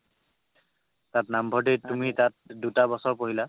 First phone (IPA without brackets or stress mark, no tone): t